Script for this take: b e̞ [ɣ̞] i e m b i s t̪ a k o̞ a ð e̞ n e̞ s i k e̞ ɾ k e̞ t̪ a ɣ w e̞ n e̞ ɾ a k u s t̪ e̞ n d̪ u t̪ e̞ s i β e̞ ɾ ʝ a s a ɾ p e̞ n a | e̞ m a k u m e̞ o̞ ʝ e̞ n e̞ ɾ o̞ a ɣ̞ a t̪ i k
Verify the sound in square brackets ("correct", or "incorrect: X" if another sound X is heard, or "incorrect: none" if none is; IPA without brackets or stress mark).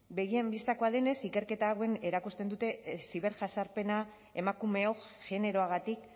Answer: correct